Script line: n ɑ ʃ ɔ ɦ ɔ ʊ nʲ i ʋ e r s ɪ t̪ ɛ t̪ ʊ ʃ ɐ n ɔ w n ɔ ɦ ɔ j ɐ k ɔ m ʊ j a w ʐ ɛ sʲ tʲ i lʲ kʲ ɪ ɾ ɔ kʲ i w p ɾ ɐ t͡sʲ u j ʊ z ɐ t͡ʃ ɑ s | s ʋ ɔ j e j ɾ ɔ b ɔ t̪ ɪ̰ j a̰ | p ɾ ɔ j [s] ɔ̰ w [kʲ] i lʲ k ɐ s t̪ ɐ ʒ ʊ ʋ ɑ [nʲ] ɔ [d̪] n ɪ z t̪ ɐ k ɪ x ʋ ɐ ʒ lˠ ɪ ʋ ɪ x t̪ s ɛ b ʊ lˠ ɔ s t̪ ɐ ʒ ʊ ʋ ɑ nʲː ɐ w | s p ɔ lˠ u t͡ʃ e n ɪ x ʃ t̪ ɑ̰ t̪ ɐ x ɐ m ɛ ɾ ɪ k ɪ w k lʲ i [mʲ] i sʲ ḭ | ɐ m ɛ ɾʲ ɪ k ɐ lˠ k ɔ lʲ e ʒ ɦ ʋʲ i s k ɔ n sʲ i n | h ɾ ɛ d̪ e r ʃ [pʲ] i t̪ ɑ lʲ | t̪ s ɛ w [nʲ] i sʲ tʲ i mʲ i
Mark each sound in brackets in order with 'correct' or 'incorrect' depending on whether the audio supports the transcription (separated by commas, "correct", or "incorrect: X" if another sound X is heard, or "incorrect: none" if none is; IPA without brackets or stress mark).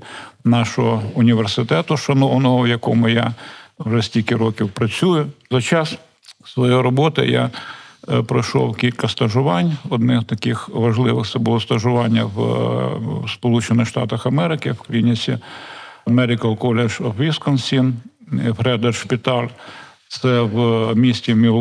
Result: incorrect: ʃ, correct, correct, correct, incorrect: nʲ, correct, incorrect: mʲ